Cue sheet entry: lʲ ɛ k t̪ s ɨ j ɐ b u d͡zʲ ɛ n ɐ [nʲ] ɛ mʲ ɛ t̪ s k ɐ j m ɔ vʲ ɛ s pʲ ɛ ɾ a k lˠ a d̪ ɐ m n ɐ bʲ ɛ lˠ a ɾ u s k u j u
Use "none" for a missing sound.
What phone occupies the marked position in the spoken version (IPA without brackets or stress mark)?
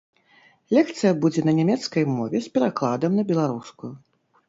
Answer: nʲ